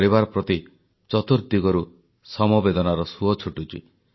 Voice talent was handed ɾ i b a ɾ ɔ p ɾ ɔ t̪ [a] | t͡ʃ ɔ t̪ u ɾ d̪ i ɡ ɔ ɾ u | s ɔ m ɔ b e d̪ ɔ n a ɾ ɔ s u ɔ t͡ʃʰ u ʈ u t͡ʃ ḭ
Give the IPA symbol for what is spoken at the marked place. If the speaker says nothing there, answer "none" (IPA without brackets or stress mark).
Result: i